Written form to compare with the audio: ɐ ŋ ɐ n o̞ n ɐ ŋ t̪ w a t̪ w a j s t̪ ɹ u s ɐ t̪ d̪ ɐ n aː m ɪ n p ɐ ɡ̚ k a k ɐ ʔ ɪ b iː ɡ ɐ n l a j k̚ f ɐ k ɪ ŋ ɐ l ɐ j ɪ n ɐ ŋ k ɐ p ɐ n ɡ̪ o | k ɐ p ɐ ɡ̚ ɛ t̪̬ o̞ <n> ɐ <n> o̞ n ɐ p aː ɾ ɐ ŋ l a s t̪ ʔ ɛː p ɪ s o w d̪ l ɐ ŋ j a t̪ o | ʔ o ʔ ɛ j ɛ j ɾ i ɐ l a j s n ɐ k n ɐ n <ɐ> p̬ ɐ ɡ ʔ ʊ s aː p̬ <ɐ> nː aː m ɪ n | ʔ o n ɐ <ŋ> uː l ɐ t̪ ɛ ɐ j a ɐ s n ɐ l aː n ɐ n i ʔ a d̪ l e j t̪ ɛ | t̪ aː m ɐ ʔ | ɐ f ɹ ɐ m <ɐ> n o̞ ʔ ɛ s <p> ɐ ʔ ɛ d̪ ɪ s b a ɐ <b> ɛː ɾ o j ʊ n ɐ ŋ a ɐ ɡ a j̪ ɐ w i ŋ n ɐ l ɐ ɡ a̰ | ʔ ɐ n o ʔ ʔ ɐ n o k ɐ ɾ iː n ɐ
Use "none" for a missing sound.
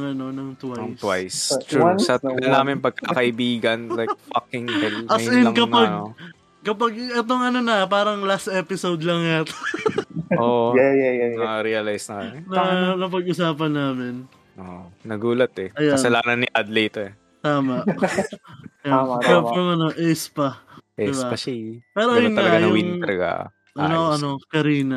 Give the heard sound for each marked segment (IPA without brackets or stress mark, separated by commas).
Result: ŋ, n, ɐ, ɐ, ɡ, ɐ, p, p